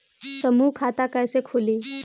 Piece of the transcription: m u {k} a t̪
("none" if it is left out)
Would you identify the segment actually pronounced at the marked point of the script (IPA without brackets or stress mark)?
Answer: kʰ